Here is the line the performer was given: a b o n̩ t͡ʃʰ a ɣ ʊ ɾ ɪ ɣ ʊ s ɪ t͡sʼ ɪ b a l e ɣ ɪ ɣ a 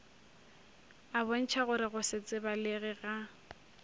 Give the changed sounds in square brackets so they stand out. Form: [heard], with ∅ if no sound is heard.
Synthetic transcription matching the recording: a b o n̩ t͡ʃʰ a ɣ ʊ ɾ ɪ ɣ ʊ s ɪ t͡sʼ ɪ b a l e ɣ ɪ ɣ a